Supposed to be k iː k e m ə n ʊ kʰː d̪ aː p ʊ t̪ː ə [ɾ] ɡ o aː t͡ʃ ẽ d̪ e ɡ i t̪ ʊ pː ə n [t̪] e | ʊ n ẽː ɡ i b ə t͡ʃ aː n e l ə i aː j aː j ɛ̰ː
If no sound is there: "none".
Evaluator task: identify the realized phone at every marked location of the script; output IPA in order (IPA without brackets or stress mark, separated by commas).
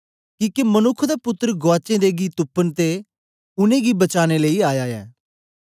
ɾ, t̪